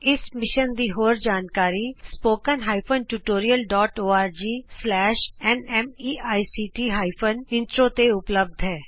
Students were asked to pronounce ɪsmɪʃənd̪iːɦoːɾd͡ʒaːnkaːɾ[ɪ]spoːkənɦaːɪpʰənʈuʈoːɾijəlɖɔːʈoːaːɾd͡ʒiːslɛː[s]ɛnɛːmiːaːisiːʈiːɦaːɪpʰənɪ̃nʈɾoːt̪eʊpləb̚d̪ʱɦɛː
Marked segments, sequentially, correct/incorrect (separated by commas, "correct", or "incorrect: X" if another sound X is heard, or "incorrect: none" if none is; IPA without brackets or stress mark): incorrect: i, incorrect: ʃ